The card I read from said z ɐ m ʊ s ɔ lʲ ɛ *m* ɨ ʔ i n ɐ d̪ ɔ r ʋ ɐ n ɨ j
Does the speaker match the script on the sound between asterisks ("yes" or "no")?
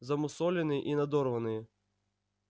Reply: no